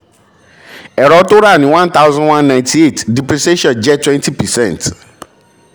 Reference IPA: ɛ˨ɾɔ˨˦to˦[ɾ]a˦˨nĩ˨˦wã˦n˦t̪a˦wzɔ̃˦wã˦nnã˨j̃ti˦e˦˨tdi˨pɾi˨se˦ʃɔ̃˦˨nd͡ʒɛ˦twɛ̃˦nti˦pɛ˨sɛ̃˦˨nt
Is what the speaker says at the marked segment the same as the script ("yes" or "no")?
yes